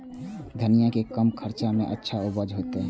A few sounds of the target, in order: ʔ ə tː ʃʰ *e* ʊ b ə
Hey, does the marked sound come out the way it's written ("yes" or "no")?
no